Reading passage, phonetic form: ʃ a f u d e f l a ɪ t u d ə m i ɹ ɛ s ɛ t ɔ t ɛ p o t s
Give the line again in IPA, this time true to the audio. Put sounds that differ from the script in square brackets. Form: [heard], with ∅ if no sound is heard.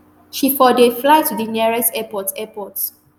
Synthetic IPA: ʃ [i] f [ɔ] d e f l a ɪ t u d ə [n] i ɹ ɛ s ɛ [p] ɔ t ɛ p [ɔ] t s